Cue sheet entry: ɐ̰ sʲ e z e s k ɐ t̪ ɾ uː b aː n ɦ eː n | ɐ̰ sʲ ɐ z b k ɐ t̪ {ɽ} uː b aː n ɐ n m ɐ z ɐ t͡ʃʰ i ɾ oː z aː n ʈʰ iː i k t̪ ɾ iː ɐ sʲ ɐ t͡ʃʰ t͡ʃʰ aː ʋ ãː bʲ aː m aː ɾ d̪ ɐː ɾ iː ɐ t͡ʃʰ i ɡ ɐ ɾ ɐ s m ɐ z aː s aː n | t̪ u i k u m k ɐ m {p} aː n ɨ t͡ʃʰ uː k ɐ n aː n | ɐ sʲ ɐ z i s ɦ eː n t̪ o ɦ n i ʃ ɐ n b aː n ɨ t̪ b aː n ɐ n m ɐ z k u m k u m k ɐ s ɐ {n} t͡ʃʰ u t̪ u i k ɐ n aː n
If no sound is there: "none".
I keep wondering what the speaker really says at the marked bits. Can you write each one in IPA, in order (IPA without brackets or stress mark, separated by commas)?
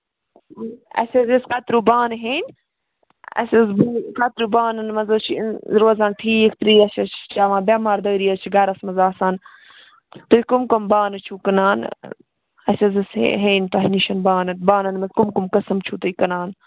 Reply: ɾ, b, m